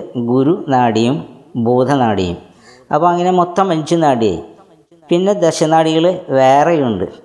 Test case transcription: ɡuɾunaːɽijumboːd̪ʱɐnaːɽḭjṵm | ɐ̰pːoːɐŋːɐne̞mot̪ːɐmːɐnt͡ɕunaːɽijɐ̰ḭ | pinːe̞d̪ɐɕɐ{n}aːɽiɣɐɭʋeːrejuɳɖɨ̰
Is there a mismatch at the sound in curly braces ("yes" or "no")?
no